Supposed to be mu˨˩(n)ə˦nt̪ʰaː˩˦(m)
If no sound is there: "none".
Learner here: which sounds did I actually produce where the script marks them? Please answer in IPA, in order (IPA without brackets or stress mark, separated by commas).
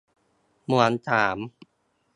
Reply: none, m